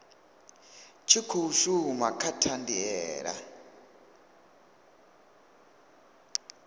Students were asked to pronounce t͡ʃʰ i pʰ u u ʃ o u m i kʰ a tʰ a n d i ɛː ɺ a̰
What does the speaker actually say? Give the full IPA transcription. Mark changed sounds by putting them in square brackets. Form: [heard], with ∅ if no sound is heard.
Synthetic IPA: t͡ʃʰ i [kʰ] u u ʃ [u] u m [a] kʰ a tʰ a n d i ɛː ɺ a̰